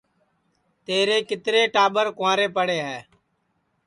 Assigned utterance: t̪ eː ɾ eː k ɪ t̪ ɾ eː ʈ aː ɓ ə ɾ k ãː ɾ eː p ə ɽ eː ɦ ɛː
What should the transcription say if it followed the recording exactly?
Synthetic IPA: t̪ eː ɾ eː k ɪ t̪ ɾ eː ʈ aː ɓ ə ɾ k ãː ɾ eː p ə ɽ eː ɦ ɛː